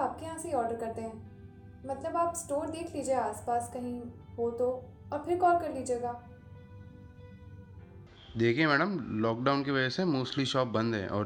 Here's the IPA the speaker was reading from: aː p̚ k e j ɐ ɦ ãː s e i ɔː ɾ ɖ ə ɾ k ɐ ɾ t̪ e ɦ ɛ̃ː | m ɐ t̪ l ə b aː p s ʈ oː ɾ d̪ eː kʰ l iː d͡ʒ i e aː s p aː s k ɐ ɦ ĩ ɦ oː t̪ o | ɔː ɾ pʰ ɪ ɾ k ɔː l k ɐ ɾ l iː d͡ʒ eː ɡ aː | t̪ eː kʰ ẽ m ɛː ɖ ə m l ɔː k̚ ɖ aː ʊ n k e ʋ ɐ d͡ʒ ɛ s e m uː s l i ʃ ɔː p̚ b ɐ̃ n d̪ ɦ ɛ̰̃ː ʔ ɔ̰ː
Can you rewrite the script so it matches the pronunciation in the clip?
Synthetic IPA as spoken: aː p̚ k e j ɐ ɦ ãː s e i ɔː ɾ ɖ ə ɾ k ɐ ɾ t̪ e ɦ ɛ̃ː | m ɐ t̪ l ə b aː p s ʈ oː ɾ d̪ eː kʰ l iː d͡ʒ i e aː s p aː s k ɐ ɦ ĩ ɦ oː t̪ o | ɔː ɾ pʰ ɪ ɾ k ɔː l k ɐ ɾ l iː d͡ʒ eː ɡ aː | d̪ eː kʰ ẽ m ɛː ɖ ə m l ɔː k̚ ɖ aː ʊ n k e ʋ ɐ d͡ʒ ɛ s e m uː s l i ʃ ɔː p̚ b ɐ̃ n d̪ ɦ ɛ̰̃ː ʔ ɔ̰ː